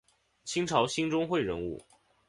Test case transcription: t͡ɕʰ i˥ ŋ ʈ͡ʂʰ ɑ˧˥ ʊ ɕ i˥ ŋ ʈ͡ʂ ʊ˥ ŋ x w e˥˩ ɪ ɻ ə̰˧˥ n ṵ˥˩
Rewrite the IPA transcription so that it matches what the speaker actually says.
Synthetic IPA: t͡ɕʰ i˥ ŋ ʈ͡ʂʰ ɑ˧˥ ʊ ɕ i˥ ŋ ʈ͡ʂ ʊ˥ ŋ x w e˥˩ ɪ ɻ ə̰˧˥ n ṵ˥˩